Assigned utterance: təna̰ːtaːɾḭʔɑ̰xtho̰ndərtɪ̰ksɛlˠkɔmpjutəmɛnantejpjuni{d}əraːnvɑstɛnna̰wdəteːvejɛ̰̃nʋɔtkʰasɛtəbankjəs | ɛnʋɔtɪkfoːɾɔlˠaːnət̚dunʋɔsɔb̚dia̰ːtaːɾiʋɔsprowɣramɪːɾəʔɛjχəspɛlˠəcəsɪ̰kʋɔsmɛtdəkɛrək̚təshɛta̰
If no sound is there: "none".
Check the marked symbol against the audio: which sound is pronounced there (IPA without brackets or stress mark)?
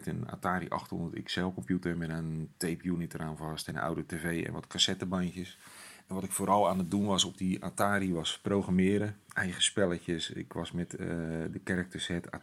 t